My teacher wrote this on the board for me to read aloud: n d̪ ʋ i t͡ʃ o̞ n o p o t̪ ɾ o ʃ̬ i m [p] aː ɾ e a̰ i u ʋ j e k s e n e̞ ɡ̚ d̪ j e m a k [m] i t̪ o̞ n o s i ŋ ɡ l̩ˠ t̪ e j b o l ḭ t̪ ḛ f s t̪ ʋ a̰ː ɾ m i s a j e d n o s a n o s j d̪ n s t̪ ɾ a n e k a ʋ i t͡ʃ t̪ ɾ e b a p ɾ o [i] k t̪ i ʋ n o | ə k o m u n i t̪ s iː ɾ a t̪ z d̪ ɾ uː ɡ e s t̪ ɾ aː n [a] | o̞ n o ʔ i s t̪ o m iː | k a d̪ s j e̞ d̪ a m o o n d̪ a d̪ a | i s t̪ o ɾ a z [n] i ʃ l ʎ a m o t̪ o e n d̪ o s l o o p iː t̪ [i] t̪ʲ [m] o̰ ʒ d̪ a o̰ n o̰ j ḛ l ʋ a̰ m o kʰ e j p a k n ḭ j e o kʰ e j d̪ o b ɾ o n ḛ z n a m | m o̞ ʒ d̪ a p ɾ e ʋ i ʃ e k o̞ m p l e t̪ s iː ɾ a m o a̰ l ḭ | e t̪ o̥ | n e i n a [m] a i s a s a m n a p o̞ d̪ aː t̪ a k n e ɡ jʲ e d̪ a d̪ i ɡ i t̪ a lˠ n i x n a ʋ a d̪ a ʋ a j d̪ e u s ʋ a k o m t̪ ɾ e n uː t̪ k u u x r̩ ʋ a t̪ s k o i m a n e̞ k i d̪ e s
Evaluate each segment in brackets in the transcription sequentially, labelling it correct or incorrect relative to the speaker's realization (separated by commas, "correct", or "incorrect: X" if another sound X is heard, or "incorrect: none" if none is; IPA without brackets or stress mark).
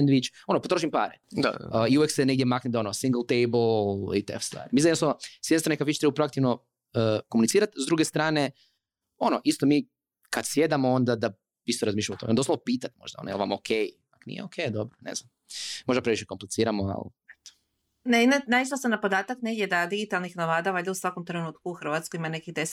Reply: correct, incorrect: n, incorrect: a, incorrect: e, incorrect: m, incorrect: a, correct, incorrect: n